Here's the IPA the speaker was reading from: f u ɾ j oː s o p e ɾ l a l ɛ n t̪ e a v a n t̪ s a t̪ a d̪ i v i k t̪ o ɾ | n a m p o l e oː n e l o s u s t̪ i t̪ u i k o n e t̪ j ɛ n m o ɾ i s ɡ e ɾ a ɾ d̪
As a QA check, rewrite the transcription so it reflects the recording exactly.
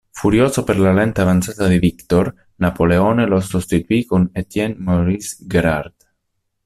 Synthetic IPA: f u ɾ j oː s o p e ɾ l a l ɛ n t̪ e a v a n t̪ s a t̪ a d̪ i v i k t̪ o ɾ | n a p o l e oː n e l o s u s t̪ i t̪ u i k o n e t̪ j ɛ n m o ɾ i s ɡ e ɾ a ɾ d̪